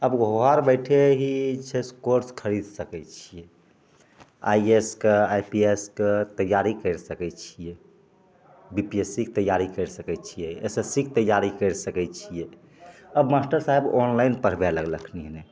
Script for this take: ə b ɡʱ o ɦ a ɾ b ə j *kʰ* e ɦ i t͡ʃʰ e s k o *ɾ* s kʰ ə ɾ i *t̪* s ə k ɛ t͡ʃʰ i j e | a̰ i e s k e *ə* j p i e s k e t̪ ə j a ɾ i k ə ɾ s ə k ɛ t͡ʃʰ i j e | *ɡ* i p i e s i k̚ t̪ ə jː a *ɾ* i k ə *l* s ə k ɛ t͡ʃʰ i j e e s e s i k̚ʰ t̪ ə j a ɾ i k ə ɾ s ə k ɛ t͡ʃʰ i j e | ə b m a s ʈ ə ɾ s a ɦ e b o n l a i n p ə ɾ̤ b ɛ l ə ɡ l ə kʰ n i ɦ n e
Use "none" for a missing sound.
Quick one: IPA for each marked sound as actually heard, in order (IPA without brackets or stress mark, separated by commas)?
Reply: ʈʰ, ɾ, d̪, a, b, ɾ, ɾ